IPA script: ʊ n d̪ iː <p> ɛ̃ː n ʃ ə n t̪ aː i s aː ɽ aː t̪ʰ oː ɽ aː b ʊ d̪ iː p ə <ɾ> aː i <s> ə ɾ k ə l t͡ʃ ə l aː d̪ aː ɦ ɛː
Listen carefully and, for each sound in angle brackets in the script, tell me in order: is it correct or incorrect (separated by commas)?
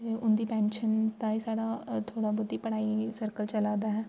correct, incorrect, correct